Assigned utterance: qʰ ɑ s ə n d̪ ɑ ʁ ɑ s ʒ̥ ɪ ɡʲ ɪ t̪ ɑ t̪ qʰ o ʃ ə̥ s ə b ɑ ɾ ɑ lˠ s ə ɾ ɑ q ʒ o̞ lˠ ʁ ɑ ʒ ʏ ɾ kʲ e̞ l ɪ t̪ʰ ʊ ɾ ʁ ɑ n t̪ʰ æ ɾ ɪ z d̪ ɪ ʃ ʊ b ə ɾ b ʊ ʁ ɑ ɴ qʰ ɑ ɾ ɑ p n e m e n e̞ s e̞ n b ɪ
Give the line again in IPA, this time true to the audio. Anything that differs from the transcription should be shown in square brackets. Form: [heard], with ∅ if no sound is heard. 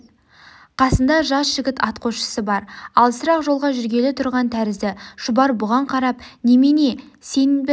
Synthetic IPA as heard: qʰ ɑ s ə n d̪ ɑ [ʒ] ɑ s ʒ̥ ɪ ɡʲ ɪ t̪ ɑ t̪ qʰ o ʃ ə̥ s ə b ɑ ɾ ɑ lˠ s ə ɾ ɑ q ʒ o̞ lˠ ʁ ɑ ʒ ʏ ɾ [ɡʲ] e̞ l ɪ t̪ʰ ʊ ɾ ʁ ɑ n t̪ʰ æ ɾ ɪ z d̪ ɪ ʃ ʊ b [ɑ] ɾ b ʊ ʁ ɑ ɴ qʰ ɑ ɾ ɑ p n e m e n e̞ s e̞ n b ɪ